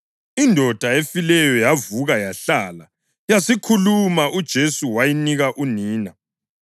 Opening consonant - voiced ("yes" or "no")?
yes